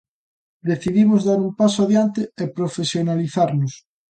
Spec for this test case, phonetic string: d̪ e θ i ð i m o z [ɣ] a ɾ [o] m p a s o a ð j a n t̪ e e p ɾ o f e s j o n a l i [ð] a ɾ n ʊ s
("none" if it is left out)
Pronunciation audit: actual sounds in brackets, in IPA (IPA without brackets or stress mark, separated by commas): ð, u, θ